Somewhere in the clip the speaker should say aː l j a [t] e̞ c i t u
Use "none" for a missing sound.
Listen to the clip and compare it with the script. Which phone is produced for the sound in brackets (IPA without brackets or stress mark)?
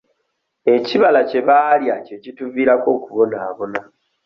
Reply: c